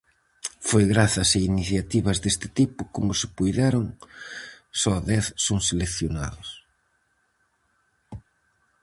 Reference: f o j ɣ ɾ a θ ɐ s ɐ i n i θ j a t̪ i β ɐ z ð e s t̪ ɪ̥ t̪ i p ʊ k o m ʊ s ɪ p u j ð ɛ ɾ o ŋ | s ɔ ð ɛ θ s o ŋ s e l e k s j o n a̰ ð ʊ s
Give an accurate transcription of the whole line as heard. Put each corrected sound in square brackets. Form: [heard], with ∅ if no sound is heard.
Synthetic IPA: f o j ɣ ɾ a θ ɐ s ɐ i n i θ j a t̪ i β ɐ z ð e s t̪ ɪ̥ t̪ i p ʊ k o m ʊ s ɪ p u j ð ɛ ɾ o ŋ | s ɔ ð ɛ θ s o ŋ s e l e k [θ] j o n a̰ ð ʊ s